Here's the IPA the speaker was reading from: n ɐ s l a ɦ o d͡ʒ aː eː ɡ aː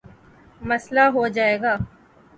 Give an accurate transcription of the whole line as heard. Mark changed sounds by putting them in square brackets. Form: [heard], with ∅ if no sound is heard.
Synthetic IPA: [m] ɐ s l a ɦ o d͡ʒ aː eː ɡ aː